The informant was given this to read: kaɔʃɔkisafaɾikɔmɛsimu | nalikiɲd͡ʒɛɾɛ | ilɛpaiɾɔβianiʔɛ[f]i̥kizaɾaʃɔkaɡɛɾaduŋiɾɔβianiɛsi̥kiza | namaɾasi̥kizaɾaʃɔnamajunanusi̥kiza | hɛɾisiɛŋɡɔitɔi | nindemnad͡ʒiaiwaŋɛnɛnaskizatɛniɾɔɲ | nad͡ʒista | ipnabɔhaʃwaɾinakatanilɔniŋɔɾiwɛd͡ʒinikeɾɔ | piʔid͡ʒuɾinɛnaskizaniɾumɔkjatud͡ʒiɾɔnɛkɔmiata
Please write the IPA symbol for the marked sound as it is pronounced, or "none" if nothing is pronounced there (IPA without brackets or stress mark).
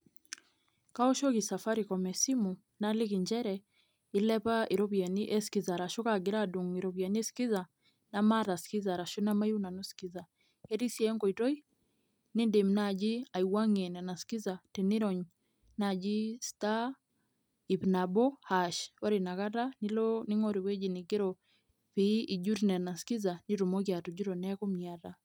s